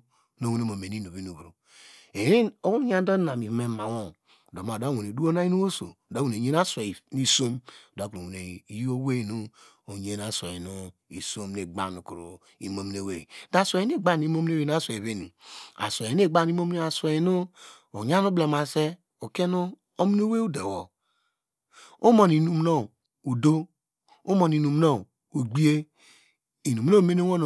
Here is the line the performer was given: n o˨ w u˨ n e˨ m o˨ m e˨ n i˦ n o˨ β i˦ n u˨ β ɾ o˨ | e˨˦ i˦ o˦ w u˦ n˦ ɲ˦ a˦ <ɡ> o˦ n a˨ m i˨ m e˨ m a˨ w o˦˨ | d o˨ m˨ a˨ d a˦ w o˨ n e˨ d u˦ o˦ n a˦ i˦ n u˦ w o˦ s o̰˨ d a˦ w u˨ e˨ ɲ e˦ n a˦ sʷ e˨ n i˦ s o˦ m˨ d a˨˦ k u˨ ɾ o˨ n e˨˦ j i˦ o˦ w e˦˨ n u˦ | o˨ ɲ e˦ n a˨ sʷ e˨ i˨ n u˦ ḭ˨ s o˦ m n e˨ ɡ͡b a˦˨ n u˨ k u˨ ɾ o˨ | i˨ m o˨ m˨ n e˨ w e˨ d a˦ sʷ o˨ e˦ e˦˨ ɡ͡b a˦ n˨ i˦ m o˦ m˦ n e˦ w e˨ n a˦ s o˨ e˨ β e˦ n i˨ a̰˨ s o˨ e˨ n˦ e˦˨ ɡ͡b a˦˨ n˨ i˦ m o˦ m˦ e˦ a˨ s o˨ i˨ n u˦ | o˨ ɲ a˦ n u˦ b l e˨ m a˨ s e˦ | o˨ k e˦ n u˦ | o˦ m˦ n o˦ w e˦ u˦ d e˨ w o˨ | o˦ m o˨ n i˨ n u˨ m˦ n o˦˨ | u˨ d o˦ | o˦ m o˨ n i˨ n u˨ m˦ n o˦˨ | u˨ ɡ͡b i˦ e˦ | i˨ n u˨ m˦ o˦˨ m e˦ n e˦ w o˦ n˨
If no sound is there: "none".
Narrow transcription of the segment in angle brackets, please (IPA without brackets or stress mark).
d